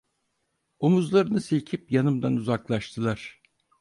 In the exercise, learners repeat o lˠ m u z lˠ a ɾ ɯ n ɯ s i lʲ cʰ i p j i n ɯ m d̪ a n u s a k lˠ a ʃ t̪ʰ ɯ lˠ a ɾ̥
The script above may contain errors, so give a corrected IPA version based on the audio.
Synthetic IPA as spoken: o m u z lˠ a ɾ ɯ n ɯ s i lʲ cʰ i p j a n ɯ m d̪ a n u z a k lˠ a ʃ t̪ʰ ɯ lˠ a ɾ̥